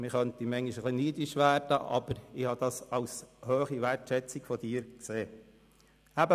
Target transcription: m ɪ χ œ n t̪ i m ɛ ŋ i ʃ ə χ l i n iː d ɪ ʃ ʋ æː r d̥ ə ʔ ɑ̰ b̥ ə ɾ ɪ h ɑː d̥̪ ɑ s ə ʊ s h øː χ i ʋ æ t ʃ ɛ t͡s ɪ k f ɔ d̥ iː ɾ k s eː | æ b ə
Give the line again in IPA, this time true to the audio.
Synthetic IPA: m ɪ χ œ n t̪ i m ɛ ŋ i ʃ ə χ l i n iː d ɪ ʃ ʋ æː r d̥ ə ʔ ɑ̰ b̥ ə ɾ ɪ h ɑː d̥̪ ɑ s ɑ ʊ s h øː χ i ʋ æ t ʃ ɛ t͡s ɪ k f ɔ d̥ iː ɾ k s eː | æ b ə